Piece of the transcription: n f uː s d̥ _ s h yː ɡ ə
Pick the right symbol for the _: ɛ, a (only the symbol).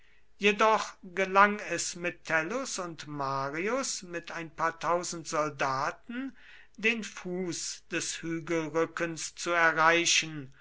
ɛ